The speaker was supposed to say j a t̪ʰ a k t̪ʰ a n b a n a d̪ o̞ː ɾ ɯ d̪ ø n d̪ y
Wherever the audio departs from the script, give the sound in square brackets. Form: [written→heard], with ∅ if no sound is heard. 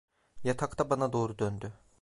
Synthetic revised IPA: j a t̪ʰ a k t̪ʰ a [n→∅] b a n a d̪ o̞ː ɾ [ɯ→u] d̪ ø n d̪ y